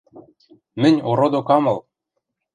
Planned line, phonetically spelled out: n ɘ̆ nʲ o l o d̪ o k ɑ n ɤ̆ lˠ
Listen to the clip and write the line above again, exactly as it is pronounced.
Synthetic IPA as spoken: m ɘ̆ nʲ o ɾ o d̪ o k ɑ m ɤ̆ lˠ